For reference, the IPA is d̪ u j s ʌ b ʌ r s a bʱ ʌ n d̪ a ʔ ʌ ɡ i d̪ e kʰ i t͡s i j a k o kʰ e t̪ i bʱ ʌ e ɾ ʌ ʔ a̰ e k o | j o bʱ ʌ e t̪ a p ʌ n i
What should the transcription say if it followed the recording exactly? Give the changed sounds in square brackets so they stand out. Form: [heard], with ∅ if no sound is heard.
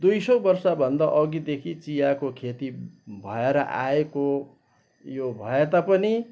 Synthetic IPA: d̪ u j s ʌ b ʌ r s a bʱ ʌ n d̪ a ʔ ʌ ɡ i d̪ e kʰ i t͡s i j a k o kʰ e t̪ i bʱ ʌ e ɾ ʌ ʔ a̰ e k o | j o bʱ ʌ e t̪ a p ʌ n i